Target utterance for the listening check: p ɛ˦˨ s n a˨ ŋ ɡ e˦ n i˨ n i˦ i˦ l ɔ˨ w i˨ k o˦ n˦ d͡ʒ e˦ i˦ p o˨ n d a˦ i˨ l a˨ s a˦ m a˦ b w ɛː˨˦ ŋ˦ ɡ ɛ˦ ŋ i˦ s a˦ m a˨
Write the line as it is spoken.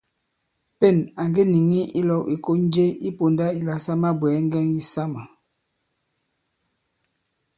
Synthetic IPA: p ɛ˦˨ n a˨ ŋ ɡ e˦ n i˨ ŋ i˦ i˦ l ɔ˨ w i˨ k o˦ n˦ d͡ʒ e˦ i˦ p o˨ n d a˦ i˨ l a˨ s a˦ m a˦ b w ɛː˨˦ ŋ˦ ɡ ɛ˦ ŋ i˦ s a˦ m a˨

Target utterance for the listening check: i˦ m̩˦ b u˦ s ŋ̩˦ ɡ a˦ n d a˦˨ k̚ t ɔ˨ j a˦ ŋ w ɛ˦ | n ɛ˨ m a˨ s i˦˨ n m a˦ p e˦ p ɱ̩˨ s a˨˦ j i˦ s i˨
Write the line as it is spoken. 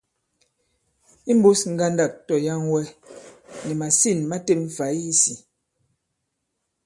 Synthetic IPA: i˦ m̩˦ b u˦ s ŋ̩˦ ɡ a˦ n d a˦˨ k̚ t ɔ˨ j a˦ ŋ w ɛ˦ | n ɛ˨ m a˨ s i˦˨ n m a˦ t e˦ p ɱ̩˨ f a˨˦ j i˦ s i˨

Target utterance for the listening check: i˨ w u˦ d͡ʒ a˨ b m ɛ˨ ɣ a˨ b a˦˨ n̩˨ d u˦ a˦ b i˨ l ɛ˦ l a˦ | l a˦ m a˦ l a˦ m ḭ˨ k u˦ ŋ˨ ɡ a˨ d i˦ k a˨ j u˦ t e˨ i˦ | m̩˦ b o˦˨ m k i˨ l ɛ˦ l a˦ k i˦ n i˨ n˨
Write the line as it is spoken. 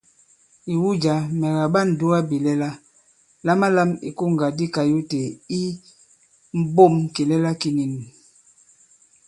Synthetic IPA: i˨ w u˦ d͡ʒ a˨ m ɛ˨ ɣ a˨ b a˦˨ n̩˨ d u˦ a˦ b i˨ l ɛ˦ l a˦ | l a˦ m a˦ l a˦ m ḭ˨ k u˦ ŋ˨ ɡ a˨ d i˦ k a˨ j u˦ t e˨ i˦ | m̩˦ b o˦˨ m k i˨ l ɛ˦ l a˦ k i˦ n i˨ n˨

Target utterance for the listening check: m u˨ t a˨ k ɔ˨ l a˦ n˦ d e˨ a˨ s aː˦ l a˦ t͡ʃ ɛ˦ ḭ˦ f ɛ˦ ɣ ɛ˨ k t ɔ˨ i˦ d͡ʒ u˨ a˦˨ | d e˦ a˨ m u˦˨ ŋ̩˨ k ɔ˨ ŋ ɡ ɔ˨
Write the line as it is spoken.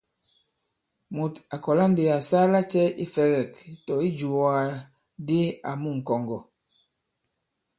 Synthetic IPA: m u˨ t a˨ k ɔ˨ l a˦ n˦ d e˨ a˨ s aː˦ l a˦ t͡ʃ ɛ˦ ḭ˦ f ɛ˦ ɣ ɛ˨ k t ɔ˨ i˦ d͡ʒ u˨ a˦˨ | d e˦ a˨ m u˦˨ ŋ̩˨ k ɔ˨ ŋ ɡ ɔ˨

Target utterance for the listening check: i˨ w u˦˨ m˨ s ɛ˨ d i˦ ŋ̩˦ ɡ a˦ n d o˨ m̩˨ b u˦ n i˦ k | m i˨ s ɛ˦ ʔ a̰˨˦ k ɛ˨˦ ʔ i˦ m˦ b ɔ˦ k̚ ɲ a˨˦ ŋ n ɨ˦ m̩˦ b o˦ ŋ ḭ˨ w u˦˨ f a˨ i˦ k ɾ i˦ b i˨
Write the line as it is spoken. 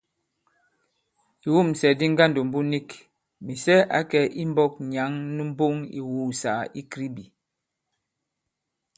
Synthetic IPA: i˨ w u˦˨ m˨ s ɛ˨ d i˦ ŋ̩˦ ɡ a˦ n d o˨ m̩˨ b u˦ n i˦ k | m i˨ s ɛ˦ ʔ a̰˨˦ k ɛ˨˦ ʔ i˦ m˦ b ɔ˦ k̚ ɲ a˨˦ ŋ n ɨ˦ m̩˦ b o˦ ŋ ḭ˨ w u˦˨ s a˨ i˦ k ɾ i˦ b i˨

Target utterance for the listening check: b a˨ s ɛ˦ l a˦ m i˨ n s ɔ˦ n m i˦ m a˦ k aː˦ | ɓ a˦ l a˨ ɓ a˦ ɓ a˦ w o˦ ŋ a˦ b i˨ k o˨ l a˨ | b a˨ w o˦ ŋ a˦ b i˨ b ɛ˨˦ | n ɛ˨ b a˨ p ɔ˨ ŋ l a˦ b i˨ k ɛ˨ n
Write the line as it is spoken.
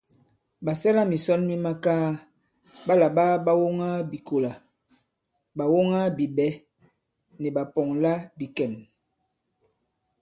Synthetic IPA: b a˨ s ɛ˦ l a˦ m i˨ s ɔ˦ n m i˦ m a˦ k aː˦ | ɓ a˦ l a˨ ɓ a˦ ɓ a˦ w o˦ ŋ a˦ b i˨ k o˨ l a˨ | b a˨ w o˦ ŋ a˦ b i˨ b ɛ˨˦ | n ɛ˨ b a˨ p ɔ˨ ŋ l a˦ b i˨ k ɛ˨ n

